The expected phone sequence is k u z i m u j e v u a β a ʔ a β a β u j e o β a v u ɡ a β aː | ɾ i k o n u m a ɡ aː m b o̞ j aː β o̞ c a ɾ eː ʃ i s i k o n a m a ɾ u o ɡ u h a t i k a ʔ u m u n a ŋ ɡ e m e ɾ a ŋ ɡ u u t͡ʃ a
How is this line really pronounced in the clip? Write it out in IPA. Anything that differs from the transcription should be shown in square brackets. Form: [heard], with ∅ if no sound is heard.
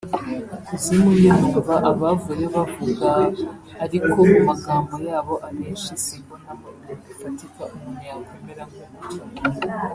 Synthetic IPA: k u z i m u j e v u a β a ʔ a β a [v] u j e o β a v u ɡ a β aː | ɾ i k o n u m a ɡ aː m b o̞ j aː β o̞ [ʔ] a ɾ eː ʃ i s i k o n a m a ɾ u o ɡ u [f] a t i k a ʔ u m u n a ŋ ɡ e m e ɾ a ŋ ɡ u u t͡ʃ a